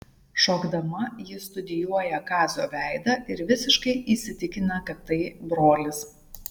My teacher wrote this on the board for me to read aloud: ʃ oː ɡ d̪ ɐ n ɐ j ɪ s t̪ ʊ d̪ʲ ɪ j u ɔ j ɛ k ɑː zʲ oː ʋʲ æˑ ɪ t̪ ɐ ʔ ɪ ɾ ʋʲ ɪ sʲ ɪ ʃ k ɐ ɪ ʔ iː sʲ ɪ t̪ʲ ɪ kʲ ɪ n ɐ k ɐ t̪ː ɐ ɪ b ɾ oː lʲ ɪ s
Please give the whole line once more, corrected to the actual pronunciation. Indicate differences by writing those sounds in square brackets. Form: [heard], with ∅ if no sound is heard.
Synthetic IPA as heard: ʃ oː ɡ d̪ ɐ [m] ɐ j ɪ s t̪ ʊ d̪ʲ ɪ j u ɔ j ɛ k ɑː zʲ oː ʋʲ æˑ ɪ [d̪] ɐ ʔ ɪ ɾ ʋʲ ɪ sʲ ɪ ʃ k ɐ ɪ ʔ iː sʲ ɪ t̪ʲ ɪ kʲ ɪ n ɐ k ɐ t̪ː ɐ ɪ b ɾ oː lʲ ɪ s